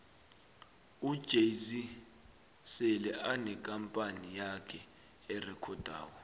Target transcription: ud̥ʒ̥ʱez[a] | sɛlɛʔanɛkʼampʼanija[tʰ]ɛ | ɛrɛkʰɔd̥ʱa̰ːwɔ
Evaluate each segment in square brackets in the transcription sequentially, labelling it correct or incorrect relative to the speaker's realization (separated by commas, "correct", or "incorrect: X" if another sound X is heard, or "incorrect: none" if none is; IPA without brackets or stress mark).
incorrect: i, incorrect: kʰ